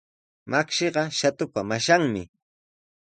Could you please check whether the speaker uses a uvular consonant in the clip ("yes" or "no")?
yes